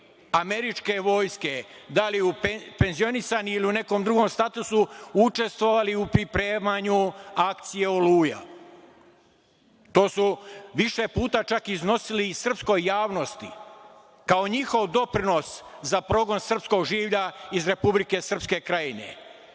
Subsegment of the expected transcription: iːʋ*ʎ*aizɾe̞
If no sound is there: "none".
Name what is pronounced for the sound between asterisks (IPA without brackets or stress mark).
ʎ